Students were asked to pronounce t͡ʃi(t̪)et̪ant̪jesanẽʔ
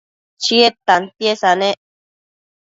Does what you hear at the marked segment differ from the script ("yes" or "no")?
yes